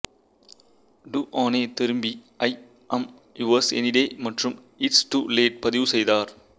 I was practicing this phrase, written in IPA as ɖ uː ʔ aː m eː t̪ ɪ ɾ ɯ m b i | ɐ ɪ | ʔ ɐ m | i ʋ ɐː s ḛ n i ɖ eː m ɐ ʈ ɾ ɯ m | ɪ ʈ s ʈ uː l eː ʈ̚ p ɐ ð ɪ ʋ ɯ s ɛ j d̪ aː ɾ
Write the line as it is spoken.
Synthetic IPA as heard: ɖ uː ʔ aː n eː t̪ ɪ ɾ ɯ m b i | ɐ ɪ | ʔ ɐ m | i ʋ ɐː s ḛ n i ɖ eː m ɐ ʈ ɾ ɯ m | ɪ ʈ s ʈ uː l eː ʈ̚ p ɐ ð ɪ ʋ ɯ s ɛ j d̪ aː ɾ